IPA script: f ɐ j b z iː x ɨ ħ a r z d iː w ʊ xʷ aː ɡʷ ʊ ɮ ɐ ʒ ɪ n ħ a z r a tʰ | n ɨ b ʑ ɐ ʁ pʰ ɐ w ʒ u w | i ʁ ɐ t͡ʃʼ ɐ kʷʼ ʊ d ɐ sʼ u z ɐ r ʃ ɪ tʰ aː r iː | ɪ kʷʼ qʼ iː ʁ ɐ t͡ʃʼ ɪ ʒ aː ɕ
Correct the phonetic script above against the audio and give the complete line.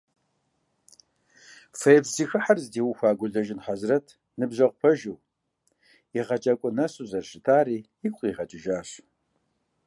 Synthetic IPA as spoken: f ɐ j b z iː x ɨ ħ a r z d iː w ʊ xʷ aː ɡʷ ʊ ɮ ɐ ʒ ɪ n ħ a z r ɐ tʰ | n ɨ b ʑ ɐ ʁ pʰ ɐ ʒ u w | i ʁ ɐ t͡ʃʼ ɐ kʷʼ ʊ n ɐ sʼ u z ɐ r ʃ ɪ tʰ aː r iː | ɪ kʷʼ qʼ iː ʁ ɐ t͡ʃʼ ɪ ʒ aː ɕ